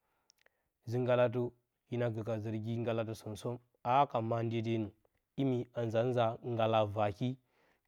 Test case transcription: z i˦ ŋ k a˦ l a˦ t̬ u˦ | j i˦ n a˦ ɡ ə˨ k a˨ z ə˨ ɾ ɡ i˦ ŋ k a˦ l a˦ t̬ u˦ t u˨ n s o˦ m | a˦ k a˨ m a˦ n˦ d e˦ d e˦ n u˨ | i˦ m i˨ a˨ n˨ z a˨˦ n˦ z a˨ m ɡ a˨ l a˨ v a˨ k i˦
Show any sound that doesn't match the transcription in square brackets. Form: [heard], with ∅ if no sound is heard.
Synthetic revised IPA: z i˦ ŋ [ɡ] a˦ l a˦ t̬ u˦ | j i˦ n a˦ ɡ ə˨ k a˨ z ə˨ ɾ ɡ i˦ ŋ [ɡ] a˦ l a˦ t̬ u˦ [s] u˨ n s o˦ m | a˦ k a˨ m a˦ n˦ d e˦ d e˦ n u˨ | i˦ m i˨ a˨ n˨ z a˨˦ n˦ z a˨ [ŋ] ɡ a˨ l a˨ v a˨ k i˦